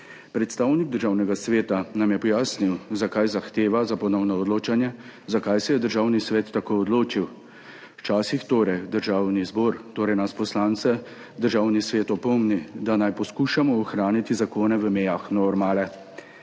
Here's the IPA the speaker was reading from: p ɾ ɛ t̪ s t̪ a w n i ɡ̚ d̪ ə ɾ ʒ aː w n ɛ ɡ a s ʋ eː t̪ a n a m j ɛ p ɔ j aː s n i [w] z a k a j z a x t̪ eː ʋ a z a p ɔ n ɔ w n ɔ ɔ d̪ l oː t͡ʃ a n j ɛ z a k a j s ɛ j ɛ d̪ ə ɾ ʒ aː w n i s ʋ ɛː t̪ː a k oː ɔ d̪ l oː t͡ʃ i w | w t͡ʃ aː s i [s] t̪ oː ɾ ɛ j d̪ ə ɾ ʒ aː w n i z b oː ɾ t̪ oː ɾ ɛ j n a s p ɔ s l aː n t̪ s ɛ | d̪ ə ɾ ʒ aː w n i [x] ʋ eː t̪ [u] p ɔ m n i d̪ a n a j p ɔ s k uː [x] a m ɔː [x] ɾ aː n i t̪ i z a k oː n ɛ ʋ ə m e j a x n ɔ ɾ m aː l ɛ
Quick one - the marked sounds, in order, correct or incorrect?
correct, incorrect, incorrect, incorrect, incorrect, correct

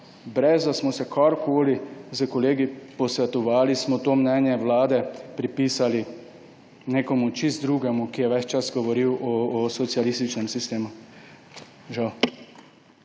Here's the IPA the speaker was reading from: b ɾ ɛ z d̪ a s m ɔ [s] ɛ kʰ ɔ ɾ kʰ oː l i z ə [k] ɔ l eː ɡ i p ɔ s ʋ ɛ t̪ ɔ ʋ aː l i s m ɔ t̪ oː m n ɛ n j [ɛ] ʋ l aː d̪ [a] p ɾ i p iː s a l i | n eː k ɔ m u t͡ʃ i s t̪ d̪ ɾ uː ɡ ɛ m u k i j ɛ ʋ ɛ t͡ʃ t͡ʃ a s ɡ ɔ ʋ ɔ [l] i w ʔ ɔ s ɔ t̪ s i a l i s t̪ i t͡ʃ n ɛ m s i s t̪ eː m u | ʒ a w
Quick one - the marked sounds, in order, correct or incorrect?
correct, correct, correct, incorrect, incorrect

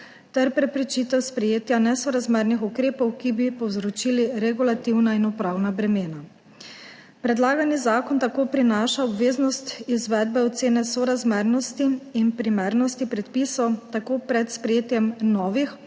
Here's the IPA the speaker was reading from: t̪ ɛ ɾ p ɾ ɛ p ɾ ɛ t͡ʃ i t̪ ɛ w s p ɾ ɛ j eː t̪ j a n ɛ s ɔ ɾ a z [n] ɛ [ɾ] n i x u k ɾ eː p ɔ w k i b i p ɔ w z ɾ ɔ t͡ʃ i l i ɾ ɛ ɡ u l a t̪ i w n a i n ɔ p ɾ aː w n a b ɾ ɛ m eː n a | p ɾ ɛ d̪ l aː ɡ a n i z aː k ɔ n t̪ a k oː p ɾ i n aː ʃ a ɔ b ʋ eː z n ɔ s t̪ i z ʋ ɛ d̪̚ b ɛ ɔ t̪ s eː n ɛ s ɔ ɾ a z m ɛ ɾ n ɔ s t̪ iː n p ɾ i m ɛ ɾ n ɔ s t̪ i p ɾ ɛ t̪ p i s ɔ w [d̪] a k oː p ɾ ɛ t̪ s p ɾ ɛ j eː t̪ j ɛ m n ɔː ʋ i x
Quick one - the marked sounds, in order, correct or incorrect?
incorrect, correct, incorrect

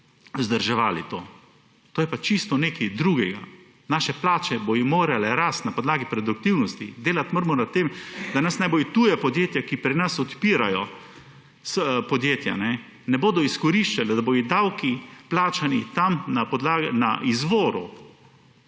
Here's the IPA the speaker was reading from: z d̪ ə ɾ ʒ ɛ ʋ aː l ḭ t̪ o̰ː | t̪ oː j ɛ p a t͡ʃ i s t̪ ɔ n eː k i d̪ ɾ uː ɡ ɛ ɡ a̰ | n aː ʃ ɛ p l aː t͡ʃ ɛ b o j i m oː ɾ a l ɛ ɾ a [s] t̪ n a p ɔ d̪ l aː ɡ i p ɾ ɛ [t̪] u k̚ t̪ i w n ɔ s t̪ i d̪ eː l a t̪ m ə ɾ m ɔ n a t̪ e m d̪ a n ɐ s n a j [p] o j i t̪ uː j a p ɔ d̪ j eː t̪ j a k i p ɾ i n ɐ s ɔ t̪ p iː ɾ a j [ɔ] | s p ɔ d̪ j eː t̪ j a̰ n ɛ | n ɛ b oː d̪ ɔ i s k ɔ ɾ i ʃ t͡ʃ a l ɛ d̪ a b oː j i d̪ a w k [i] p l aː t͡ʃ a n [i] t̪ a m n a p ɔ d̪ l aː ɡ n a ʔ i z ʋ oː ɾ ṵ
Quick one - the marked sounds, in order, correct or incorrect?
correct, incorrect, incorrect, correct, correct, correct

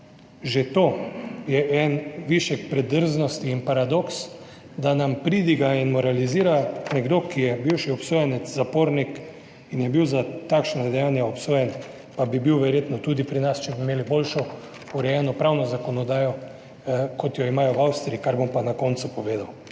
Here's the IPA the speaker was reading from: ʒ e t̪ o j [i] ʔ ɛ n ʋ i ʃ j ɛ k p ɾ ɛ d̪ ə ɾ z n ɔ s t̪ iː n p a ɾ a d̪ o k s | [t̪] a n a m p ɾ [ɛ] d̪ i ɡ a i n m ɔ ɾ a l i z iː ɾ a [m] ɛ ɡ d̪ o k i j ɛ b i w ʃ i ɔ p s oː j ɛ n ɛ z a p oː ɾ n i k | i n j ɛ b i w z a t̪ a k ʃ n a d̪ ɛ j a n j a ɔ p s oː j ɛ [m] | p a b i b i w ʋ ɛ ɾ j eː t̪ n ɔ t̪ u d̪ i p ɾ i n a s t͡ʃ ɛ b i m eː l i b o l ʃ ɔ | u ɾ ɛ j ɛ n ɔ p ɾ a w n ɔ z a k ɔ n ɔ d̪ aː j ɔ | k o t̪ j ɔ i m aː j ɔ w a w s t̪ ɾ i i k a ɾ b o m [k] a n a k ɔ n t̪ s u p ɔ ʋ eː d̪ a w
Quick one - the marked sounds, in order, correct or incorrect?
incorrect, incorrect, incorrect, incorrect, incorrect, incorrect

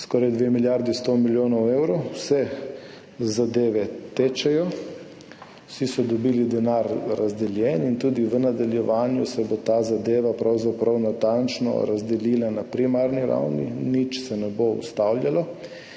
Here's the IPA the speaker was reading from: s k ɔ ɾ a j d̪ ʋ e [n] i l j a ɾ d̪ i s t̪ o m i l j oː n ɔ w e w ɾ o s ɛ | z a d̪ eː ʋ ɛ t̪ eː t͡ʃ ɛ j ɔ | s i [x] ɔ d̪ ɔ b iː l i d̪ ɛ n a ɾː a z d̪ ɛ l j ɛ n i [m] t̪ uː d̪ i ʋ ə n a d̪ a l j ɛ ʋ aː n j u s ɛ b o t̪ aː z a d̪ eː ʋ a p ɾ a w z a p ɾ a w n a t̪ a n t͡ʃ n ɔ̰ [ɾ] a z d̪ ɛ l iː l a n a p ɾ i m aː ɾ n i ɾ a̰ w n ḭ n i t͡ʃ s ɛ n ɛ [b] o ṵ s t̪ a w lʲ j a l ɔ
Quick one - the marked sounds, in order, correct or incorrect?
incorrect, incorrect, incorrect, correct, correct

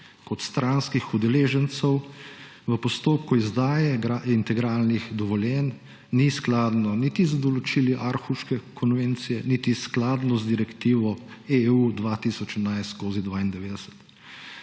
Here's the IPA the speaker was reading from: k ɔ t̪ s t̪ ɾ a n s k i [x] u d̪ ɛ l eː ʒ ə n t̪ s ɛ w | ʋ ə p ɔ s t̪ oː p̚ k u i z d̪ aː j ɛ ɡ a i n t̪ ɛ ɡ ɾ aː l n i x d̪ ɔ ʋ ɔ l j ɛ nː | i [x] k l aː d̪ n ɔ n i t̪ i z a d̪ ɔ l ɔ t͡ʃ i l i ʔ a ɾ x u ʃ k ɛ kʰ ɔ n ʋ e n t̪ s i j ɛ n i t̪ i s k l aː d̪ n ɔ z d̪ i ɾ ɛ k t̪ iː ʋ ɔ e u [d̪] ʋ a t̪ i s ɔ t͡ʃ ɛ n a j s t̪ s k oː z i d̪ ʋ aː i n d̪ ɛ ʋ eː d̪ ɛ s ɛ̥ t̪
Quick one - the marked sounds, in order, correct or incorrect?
correct, incorrect, correct

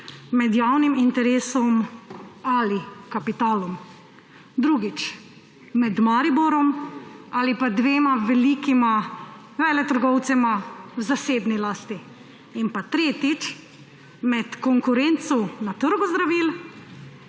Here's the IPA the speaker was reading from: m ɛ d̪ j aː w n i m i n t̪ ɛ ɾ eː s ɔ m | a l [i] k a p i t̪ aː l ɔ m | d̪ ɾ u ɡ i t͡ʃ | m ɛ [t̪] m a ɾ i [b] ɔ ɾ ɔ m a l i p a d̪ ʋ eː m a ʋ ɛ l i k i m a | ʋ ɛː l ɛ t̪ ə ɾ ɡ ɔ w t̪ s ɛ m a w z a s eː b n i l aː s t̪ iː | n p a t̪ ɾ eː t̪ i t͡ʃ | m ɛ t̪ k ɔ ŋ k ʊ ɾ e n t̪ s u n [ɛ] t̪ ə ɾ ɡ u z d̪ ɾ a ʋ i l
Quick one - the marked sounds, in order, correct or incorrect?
correct, incorrect, correct, incorrect

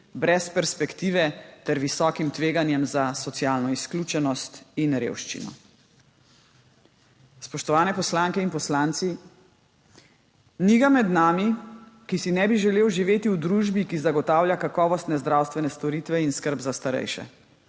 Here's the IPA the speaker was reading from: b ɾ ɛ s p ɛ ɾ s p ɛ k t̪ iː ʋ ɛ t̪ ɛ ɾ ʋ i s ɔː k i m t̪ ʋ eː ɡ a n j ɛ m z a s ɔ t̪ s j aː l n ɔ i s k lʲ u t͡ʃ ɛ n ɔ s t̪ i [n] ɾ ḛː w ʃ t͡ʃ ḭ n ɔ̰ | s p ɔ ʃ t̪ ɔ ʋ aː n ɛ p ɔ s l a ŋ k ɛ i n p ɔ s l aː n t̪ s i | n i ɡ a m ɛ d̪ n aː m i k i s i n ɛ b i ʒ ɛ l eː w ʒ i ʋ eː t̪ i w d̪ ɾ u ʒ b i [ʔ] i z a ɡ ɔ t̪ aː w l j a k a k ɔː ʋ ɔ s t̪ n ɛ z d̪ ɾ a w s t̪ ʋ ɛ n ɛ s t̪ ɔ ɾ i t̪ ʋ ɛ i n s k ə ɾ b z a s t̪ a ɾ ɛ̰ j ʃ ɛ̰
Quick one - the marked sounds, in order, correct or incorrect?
correct, incorrect

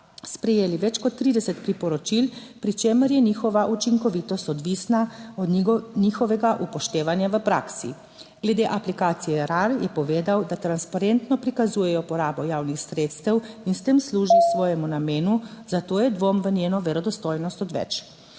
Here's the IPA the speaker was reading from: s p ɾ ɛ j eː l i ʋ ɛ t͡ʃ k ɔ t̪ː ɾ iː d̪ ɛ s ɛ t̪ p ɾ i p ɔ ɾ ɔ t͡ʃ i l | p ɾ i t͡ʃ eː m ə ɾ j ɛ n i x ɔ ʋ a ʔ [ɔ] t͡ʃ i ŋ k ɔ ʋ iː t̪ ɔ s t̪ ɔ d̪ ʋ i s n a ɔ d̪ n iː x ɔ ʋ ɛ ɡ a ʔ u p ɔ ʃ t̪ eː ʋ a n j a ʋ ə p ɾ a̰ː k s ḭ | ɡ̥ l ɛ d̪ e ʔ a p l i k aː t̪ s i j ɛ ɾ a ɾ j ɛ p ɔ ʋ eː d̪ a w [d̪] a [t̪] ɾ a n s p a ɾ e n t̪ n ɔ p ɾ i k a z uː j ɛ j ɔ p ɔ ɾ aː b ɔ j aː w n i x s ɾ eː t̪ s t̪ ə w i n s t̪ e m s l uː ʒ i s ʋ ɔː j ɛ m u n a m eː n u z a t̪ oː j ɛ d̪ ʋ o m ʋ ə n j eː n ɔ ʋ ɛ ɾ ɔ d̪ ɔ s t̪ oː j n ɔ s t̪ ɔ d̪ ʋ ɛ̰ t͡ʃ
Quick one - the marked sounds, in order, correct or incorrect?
incorrect, correct, correct

